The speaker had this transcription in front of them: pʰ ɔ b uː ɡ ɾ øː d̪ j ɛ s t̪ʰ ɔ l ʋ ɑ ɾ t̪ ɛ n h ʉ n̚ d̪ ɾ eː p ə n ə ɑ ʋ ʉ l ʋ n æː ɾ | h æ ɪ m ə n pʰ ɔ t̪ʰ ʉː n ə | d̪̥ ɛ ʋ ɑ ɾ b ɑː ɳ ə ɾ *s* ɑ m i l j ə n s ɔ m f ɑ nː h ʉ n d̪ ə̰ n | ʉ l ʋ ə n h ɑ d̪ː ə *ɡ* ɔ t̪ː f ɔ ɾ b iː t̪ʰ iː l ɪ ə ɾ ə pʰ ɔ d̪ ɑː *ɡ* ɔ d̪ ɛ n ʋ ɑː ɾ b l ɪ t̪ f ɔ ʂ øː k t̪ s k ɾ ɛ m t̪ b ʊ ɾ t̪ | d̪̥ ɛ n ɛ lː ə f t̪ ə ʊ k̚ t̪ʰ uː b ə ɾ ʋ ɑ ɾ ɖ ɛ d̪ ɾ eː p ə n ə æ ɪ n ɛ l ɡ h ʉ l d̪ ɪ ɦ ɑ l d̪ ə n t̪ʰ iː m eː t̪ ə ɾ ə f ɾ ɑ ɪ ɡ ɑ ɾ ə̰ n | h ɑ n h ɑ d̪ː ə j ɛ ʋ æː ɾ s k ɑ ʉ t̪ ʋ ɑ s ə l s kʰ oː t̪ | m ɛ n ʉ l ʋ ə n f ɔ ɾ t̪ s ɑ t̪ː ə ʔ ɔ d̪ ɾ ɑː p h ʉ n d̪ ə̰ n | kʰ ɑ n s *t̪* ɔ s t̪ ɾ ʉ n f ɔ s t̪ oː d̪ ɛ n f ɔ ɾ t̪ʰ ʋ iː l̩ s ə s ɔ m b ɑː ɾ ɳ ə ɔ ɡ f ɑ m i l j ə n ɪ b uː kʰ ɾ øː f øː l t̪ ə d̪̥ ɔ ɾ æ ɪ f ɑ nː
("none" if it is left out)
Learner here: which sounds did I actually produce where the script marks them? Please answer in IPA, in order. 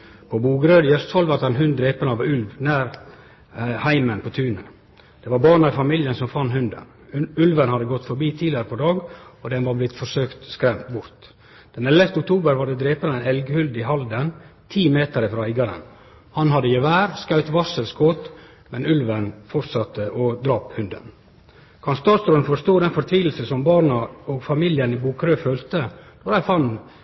f, ɡ, ɡ, t̪

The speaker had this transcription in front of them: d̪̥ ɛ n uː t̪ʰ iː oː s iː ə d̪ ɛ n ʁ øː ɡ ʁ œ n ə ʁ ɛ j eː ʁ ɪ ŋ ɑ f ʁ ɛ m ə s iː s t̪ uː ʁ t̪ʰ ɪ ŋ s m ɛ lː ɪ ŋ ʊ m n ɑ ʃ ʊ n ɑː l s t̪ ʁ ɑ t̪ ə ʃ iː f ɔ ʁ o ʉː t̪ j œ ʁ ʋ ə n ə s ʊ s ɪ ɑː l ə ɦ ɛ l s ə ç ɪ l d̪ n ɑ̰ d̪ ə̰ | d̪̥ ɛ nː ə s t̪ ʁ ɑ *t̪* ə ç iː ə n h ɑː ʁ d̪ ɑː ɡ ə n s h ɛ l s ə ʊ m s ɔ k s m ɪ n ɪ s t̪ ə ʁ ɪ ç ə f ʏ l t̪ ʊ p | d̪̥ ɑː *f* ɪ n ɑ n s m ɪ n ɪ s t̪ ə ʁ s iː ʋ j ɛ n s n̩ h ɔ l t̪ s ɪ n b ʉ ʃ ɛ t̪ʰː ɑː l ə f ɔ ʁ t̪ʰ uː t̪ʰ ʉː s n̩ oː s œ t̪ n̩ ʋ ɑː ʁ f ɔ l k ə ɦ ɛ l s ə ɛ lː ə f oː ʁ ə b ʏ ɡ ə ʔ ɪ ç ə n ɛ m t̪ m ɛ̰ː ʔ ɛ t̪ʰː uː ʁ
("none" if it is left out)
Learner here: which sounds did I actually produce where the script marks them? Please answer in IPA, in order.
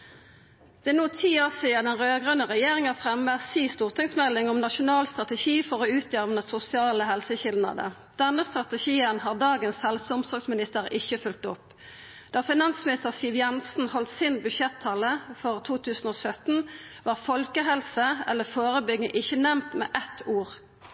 t̪, f

